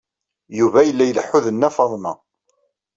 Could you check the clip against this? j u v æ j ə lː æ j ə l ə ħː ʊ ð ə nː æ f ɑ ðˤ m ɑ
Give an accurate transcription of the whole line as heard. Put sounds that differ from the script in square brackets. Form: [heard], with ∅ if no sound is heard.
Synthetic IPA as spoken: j u v æ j ə lː æ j ə l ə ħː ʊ ð ə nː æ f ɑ ðˤ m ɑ